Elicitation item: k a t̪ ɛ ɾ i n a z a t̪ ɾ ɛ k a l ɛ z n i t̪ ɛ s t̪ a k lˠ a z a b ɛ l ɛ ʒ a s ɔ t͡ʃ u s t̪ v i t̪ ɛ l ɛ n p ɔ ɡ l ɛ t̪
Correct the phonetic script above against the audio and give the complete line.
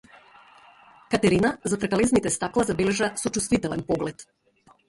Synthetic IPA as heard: k a t̪ ɛ ɾ i n a z a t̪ ɾ ɛ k a l ɛ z n i t̪ ɛ s t̪ a k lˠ a z a b ɛ l ɛ ʒ a s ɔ t͡ʃ u s t̪ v i t̪ ɛ l ɛ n p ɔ ɡ l ɛ t̪